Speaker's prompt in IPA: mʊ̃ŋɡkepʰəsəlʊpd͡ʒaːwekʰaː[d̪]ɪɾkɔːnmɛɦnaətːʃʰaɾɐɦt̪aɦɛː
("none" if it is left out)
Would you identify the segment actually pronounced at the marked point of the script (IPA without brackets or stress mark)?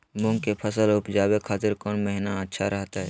t̪